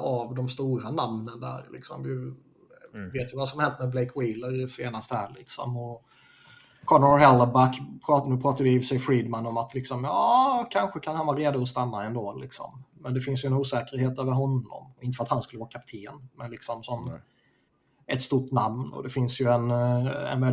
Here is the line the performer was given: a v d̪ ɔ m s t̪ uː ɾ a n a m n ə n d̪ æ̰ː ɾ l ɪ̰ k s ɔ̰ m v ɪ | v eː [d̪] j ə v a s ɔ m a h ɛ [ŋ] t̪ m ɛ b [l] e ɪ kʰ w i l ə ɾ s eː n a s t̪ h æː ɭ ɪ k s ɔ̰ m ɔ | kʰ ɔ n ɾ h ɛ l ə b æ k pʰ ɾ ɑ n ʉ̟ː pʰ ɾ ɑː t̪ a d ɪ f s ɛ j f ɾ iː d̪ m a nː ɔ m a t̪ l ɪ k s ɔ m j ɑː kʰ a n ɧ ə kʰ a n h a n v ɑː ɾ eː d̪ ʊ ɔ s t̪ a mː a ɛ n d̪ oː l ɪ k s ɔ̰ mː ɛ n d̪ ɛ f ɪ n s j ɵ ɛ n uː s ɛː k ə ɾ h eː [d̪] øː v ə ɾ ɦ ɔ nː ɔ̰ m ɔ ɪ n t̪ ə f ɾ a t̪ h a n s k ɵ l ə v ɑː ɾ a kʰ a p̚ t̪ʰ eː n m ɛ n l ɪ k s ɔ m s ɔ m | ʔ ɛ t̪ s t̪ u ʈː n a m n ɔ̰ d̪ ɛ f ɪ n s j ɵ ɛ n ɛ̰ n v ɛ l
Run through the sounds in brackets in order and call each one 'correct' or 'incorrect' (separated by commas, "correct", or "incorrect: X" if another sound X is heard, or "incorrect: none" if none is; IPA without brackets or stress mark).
incorrect: t̪, incorrect: n, correct, incorrect: t̪